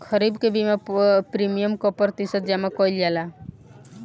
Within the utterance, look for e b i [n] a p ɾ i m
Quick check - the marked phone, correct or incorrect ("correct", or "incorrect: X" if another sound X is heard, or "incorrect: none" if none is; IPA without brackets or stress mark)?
incorrect: m